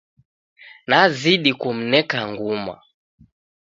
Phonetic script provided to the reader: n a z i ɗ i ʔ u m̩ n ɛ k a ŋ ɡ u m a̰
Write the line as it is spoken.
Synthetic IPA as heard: n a z i ɗ i k u m̩ n ɛ k a ŋ ɡ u m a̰